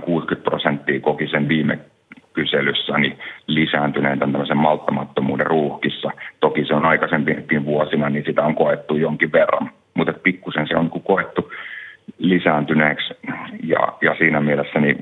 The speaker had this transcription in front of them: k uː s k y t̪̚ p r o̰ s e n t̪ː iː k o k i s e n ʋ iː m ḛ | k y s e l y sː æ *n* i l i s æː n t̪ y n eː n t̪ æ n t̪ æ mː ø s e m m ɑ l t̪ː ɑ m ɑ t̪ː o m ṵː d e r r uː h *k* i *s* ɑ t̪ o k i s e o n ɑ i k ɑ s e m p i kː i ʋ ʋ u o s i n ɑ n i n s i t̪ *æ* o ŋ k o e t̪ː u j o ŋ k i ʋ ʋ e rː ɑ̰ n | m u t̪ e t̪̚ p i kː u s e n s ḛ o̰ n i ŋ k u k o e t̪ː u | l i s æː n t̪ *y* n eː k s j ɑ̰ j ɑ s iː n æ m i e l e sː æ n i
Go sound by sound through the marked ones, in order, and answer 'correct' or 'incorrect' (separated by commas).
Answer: correct, correct, incorrect, correct, correct